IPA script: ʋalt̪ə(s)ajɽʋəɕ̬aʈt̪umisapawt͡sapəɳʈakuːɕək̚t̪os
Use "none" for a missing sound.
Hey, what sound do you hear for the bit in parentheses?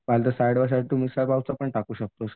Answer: s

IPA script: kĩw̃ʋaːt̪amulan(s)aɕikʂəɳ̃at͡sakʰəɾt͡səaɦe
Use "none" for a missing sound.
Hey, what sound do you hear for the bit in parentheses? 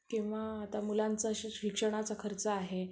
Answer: t͡s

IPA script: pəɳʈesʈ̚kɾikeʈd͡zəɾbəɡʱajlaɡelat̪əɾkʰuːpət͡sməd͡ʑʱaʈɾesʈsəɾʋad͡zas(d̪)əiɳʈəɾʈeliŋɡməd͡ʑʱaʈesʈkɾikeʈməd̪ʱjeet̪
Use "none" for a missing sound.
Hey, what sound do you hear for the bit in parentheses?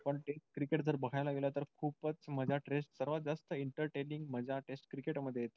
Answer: t̪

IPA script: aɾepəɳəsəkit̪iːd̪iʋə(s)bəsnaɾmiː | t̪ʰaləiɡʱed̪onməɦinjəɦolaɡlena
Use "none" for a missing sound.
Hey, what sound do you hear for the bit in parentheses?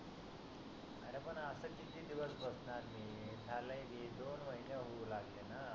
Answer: s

